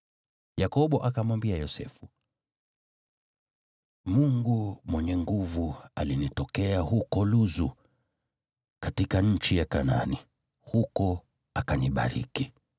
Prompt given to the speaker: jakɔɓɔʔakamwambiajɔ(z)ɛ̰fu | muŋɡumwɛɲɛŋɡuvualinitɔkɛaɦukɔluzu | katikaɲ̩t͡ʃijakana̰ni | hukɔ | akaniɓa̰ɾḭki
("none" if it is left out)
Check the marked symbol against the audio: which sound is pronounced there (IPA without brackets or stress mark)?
s